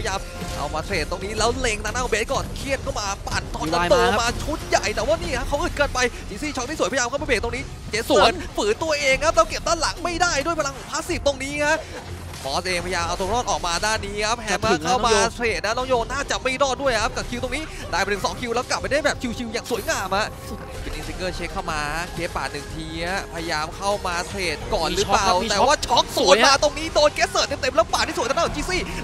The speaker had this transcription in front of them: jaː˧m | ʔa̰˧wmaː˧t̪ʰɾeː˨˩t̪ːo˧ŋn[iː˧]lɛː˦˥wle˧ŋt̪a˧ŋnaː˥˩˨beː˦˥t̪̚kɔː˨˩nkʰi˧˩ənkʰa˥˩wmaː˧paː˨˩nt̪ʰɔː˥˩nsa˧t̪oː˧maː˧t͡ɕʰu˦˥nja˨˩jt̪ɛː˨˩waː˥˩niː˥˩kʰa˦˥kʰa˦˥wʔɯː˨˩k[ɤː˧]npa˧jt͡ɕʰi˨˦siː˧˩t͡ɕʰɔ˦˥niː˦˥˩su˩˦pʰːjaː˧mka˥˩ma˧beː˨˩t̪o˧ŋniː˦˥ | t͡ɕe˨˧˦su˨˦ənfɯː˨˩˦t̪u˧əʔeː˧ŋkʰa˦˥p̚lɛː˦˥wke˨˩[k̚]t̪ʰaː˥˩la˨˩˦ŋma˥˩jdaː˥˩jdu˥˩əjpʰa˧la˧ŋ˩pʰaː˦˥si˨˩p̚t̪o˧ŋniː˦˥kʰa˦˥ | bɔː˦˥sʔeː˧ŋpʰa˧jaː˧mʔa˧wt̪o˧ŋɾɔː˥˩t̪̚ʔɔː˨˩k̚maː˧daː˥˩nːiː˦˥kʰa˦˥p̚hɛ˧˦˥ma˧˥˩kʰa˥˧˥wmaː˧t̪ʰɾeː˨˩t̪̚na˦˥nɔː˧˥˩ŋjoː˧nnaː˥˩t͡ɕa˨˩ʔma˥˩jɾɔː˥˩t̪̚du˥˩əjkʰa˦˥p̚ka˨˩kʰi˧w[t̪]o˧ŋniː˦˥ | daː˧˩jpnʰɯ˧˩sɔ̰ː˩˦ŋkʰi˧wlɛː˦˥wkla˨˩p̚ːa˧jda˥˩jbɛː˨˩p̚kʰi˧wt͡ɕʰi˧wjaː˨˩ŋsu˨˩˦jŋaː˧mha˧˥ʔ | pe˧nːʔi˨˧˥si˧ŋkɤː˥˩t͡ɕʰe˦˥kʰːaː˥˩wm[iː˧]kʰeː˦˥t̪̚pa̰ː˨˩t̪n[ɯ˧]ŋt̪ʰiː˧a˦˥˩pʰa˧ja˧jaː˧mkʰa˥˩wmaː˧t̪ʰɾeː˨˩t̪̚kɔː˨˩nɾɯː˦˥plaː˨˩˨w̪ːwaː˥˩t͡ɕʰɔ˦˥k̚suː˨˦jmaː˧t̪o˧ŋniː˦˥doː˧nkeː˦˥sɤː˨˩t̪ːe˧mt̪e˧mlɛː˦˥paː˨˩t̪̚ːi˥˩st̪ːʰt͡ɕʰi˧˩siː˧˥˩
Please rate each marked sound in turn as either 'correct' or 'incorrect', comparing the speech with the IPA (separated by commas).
incorrect, correct, incorrect, correct, incorrect, incorrect